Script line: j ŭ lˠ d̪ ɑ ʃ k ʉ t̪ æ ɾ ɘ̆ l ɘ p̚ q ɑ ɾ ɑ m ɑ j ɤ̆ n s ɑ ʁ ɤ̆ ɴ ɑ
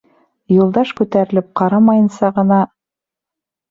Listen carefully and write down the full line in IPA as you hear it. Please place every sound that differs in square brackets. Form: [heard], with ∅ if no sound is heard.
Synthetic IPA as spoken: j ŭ lˠ d̪ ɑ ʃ k ʉ t̪ æ ɾ ɘ̆ l ɘ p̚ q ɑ ɾ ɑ m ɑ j ɤ̆ n s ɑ ʁ ɤ̆ [n] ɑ